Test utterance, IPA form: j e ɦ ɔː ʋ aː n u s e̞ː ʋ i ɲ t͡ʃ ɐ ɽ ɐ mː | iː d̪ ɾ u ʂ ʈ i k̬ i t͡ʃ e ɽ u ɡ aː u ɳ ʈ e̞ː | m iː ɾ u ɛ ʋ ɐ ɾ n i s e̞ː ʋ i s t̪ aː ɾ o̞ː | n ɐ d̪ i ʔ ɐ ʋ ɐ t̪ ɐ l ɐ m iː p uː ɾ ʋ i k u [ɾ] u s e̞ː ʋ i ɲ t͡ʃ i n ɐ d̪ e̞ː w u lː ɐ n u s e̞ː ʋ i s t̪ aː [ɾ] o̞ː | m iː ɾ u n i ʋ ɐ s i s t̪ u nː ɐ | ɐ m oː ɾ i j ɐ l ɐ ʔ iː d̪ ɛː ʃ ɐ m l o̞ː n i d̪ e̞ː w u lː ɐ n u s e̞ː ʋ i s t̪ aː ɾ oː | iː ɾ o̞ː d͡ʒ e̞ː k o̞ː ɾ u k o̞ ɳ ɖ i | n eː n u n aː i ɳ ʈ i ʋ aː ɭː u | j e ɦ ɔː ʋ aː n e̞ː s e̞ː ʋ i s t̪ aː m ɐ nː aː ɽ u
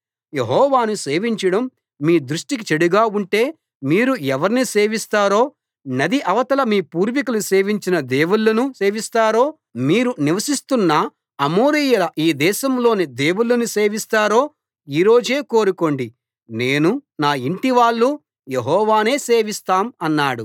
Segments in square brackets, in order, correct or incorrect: incorrect, correct

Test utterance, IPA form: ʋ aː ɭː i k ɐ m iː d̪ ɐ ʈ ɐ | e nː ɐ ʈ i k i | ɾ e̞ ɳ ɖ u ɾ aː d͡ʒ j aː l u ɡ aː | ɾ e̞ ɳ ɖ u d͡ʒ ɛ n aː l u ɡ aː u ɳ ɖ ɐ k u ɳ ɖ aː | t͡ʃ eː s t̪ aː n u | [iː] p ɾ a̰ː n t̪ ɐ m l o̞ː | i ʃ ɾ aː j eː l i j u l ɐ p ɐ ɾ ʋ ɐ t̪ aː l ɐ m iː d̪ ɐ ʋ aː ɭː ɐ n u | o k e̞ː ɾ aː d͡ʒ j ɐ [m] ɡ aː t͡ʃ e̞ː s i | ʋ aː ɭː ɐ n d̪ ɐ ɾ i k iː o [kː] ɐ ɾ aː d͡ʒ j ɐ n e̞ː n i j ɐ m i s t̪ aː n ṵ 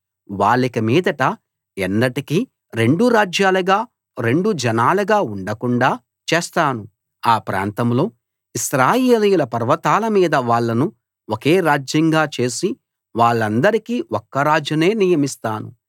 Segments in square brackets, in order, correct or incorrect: incorrect, incorrect, correct

